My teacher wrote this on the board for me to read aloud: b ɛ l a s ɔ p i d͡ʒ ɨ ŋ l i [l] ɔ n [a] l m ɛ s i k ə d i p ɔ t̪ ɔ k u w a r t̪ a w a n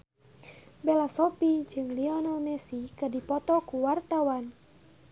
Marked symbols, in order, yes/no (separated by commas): no, yes